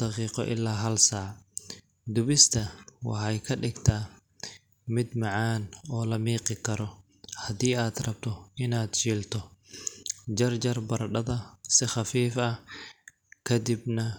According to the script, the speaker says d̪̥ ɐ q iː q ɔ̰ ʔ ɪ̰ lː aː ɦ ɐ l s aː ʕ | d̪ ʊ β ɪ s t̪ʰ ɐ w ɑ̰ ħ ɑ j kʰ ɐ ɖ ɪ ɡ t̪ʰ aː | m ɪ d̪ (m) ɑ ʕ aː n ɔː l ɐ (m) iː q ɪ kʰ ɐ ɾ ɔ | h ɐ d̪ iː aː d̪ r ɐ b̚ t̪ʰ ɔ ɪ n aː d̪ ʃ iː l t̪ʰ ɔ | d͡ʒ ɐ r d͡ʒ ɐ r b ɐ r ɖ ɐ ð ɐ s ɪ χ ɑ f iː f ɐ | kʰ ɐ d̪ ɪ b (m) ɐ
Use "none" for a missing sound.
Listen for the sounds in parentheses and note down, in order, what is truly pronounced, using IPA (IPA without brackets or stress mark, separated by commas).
m, m, n